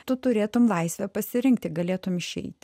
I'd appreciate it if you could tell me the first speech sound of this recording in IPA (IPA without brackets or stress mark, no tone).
t̪